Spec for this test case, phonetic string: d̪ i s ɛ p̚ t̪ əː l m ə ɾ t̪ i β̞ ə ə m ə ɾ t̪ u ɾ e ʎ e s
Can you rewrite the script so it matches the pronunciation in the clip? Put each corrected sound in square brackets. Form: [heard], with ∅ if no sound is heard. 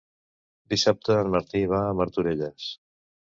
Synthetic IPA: d̪ i s [a] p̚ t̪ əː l m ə ɾ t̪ i β̞ [a] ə m ə ɾ t̪ u ɾ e ʎ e s